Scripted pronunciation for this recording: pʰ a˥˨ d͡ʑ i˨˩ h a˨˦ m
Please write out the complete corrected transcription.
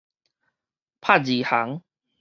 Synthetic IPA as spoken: pʰ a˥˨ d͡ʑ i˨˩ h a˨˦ ŋ

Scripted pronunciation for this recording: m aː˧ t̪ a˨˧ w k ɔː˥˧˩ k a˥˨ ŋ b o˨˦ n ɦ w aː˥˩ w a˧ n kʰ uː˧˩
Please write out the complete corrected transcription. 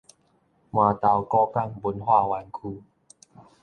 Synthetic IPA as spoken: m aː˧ t̪ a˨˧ w k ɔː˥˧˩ k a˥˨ ŋ b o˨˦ n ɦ w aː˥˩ w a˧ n kʰ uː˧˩

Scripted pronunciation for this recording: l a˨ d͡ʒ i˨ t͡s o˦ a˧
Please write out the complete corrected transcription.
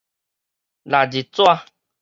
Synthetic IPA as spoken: l a˨ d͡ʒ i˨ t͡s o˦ a˧

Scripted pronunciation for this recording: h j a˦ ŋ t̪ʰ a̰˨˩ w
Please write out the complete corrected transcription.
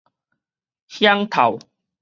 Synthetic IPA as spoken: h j a˦ ŋ t̪ʰ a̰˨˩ w

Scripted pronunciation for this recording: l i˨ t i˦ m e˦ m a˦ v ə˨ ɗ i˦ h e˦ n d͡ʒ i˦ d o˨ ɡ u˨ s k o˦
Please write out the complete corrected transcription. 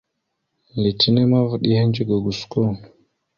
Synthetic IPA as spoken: l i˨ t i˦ n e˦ m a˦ v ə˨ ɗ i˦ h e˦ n d͡ʒ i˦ ɡ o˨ ɡ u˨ s k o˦

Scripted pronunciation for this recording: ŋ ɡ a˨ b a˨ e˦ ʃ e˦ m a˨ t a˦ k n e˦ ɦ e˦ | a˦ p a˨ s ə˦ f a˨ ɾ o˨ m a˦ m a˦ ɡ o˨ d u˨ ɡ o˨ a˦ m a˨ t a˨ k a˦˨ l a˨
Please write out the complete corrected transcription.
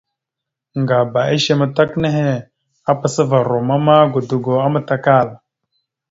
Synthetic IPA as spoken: ŋ ɡ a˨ b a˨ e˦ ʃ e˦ m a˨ t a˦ k n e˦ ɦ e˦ | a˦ p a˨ s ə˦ v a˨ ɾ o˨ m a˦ m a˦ ɡ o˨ d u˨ ɡ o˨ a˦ m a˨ t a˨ k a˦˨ l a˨

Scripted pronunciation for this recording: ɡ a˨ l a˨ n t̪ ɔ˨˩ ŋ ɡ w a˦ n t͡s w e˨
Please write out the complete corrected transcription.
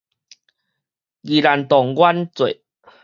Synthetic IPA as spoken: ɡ i˨ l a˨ n t̪ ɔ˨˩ ŋ ɡ w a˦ n t͡s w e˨

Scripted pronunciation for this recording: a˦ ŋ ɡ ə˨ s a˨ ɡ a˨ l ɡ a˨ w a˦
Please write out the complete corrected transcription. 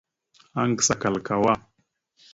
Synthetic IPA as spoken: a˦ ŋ ɡ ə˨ s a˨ k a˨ l k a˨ w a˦

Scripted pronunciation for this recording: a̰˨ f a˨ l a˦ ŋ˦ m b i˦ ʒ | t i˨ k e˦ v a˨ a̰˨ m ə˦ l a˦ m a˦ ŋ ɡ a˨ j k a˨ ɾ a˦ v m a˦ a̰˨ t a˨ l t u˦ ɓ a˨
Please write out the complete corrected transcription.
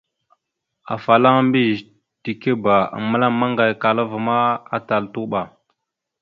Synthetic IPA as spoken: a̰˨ f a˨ l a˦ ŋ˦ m b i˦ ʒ | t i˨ k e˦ b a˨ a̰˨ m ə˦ l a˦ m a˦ ŋ ɡ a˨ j k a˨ l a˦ v m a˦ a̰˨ t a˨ l t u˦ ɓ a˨

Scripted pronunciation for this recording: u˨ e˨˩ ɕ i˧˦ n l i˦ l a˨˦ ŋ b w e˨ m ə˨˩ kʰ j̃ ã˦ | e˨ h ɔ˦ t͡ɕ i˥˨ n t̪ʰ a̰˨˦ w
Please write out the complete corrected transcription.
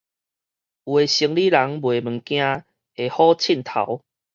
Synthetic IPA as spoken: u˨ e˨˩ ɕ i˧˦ ŋ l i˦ l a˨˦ ŋ b w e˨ m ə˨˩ k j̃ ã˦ | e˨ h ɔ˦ t͡ɕʰ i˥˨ n t̪ʰ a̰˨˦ w

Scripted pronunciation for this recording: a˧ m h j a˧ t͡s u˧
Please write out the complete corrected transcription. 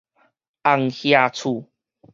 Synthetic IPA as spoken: a˧ ŋ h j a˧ t͡sʰ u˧

